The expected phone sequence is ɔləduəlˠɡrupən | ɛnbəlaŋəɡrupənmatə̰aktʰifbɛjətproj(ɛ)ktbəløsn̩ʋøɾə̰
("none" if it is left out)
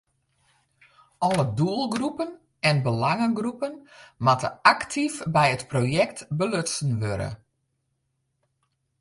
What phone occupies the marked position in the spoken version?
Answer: ɛ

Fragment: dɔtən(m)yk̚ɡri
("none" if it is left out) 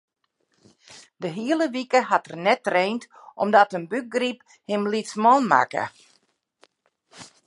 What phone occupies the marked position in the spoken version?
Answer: b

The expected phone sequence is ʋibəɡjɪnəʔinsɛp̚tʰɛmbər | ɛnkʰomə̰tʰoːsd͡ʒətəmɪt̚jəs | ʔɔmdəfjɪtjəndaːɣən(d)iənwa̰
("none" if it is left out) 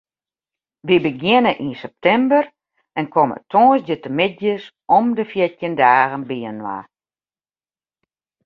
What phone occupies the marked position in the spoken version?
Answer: b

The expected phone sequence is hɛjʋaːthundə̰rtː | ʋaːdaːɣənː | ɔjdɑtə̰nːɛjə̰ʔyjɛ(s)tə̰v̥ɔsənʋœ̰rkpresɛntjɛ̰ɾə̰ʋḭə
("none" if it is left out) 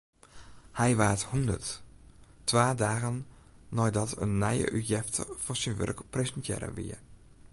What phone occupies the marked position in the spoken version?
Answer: f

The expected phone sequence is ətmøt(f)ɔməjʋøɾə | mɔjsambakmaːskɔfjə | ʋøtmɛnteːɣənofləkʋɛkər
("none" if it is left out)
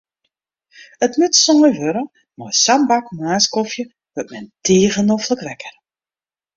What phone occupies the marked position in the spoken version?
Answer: s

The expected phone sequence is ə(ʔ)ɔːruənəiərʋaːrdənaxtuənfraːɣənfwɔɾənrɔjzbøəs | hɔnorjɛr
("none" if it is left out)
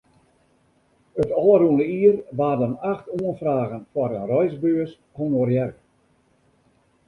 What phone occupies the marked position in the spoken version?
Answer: t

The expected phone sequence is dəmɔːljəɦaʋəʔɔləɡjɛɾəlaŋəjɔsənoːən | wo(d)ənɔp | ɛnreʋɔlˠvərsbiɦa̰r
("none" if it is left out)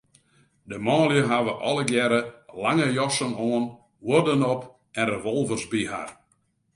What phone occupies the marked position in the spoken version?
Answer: d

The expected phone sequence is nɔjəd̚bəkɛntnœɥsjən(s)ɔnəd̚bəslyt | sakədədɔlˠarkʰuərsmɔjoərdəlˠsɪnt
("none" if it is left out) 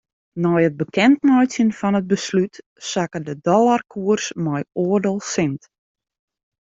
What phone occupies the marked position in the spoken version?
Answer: f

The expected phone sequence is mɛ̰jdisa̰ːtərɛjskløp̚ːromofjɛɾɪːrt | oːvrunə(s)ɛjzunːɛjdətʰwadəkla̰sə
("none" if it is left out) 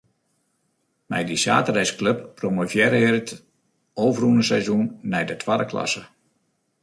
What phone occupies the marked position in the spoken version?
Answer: s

